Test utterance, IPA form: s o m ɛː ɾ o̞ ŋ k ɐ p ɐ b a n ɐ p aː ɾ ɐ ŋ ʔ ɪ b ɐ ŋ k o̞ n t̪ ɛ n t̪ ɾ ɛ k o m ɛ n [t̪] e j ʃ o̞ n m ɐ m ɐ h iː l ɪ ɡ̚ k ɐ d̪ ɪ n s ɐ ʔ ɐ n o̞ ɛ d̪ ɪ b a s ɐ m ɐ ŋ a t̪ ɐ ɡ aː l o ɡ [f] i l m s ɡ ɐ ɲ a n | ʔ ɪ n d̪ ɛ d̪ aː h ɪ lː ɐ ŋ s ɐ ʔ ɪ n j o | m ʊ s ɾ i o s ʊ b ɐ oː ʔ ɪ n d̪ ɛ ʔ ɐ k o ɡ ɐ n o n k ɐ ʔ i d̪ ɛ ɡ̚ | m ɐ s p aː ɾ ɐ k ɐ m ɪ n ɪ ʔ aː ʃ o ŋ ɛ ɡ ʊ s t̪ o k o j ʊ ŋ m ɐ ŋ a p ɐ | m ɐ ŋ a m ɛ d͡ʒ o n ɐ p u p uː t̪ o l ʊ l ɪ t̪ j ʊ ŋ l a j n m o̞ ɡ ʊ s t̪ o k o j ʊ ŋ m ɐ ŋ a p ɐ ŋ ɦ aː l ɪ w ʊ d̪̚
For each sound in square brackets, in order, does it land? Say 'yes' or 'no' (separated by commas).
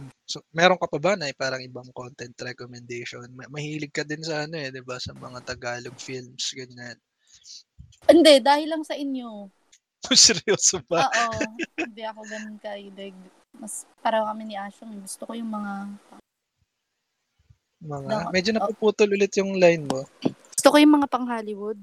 no, yes